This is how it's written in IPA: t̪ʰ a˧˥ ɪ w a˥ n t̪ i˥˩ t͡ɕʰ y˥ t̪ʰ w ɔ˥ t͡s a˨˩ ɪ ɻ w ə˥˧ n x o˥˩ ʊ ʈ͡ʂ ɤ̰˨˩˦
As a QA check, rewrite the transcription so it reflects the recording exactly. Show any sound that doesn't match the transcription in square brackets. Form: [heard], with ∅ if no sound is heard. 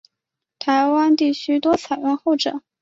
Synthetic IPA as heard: t̪ʰ a˧˥ ɪ w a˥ n t̪ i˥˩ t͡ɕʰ y˥ [t̪] w ɔ˥ [t͡sʰ] a˨˩ ɪ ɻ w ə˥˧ n x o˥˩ ʊ ʈ͡ʂ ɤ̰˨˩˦